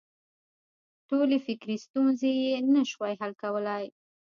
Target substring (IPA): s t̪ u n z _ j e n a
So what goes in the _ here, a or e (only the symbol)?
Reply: e